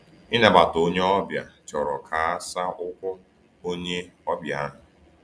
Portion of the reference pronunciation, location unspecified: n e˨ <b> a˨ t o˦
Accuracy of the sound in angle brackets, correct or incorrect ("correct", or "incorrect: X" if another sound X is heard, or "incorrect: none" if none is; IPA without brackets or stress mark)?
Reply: correct